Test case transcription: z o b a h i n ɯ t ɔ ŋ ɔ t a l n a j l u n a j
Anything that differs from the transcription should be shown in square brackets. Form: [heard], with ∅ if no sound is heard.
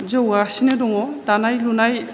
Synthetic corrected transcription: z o [w] a [s] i n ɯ [d] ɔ ŋ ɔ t a [∅] n a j l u n a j

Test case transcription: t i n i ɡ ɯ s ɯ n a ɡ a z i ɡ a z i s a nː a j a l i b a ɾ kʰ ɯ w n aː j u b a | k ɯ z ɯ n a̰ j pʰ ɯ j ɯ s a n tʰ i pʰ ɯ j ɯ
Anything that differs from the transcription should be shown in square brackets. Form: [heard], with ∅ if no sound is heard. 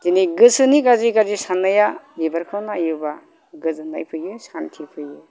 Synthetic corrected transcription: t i n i ɡ ɯ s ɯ n [i] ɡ a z i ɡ a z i s a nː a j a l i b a ɾ kʰ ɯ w n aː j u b a | [ɡ] ɯ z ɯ n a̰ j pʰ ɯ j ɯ s a n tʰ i pʰ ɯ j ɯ

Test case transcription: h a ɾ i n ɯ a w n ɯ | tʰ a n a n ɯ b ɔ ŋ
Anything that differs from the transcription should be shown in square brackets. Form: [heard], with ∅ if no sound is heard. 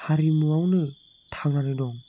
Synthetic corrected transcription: h a ɾ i [m] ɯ a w n ɯ | tʰ a [ŋ] a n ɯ [d] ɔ ŋ

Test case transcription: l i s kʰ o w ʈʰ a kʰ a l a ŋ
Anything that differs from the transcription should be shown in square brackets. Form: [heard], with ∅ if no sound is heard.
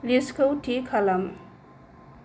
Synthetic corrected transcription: l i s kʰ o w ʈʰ [i] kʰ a l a [m]

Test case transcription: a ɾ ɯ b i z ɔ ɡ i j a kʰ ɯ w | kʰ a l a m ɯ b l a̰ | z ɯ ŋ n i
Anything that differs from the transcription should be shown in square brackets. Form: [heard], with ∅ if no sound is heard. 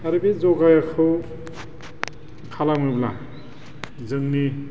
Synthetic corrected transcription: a ɾ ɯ b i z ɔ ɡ [a] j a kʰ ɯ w | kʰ a l a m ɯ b l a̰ | z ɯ ŋ n i

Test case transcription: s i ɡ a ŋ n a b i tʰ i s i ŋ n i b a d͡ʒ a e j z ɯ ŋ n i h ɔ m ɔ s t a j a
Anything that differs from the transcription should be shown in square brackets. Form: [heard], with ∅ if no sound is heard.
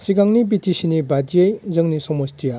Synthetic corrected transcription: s i ɡ a ŋ n [i] b i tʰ i s i [∅] n i b a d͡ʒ [i] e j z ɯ ŋ n i [s] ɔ m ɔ s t [i] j a

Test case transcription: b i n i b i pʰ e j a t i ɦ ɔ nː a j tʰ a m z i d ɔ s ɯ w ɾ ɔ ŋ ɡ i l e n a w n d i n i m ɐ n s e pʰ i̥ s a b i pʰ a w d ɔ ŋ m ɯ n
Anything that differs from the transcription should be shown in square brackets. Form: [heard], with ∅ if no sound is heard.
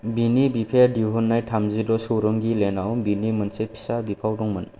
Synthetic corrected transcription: b i n i b i pʰ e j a [d] i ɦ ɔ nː a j tʰ a m z i d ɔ s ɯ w ɾ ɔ ŋ ɡ i l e n a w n [b] i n i m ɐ n s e pʰ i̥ s a b i pʰ a w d ɔ ŋ m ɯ n

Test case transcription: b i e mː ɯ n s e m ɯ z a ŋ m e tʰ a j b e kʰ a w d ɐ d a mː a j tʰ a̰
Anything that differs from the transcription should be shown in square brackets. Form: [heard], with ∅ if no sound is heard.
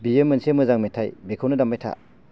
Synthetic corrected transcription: b i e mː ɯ n s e m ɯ z a ŋ m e tʰ a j b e kʰ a w [n] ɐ d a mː a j tʰ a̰

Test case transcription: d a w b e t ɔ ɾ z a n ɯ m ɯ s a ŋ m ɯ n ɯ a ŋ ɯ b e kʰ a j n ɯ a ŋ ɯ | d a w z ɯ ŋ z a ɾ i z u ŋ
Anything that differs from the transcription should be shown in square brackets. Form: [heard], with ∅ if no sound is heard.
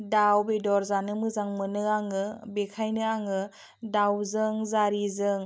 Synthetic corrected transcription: d a w b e [d] ɔ ɾ z a n ɯ m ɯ [z] a ŋ m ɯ n ɯ a ŋ ɯ b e kʰ a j n ɯ a ŋ ɯ | d a w z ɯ ŋ z a ɾ i z [ɯ] ŋ

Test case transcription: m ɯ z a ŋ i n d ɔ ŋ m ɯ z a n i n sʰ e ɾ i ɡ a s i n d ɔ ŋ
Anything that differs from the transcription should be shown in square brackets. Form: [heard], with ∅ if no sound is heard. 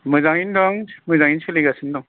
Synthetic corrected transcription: m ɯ z a ŋ i n d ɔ ŋ m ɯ z a [ŋ] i n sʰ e [l] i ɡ a s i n d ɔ ŋ

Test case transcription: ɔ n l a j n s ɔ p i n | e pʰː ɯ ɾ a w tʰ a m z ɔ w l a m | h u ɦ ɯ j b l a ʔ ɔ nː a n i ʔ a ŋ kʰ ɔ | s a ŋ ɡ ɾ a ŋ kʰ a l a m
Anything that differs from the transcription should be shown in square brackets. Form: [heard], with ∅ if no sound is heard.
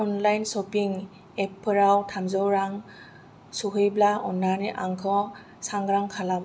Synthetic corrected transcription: ɔ n l a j n s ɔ p i [ŋ] | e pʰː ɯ ɾ a w tʰ a m z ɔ w [ɾ] a [ŋ] | [s] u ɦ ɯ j b l a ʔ ɔ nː a n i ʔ a ŋ kʰ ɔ | s a ŋ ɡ ɾ a ŋ kʰ a l a m

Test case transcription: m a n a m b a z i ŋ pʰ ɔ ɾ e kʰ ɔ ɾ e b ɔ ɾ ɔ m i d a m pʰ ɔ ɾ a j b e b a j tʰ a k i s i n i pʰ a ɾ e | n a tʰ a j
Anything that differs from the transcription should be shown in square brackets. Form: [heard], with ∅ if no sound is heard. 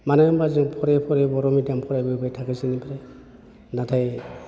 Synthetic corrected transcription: m a n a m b a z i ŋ pʰ ɔ ɾ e [pʰ] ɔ ɾ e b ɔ ɾ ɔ m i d a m pʰ ɔ ɾ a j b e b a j tʰ a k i s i n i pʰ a ɾ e | n a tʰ a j

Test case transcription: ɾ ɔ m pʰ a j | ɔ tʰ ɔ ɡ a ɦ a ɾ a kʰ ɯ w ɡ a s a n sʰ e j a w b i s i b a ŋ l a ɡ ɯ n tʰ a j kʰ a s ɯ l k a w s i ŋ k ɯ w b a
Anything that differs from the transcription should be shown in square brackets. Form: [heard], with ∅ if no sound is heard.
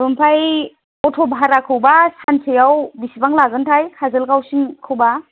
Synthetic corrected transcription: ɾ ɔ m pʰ a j | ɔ tʰ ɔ [b] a ɦ a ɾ a kʰ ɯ w [b] a s a n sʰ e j a w b i s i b a ŋ l a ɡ ɯ n tʰ a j kʰ a [z] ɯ l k a w s i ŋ [kʰ] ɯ w b a

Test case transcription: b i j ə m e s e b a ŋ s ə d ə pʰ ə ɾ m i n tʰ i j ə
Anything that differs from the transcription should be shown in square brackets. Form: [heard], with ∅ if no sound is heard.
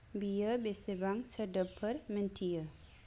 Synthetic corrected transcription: b i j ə [b] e s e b a ŋ s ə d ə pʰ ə ɾ m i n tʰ i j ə

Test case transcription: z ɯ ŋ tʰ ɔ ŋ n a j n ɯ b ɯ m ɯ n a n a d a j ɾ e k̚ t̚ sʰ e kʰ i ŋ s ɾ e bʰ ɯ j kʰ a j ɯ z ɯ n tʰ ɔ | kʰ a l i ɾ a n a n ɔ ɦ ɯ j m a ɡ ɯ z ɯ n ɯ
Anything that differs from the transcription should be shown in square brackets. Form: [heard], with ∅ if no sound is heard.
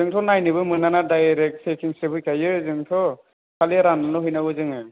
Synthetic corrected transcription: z ɯ ŋ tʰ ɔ [∅] n a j n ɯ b ɯ m ɯ n a n a d a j ɾ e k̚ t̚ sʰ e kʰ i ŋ s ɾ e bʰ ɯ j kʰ a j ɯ z ɯ [ŋ] tʰ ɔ | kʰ a l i ɾ a n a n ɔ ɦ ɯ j [n] a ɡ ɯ z ɯ [ŋ] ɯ

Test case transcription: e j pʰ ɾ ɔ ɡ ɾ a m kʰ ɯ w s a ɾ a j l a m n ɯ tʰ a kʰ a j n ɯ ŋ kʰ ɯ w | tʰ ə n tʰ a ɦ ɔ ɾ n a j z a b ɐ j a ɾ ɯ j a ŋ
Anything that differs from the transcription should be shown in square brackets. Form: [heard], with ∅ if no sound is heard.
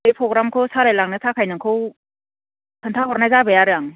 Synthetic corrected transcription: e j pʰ ɾ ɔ ɡ ɾ a m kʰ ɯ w s a ɾ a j l a [ŋ] n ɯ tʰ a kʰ a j n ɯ ŋ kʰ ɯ w | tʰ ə n tʰ a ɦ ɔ ɾ n a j z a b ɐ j a ɾ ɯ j a ŋ

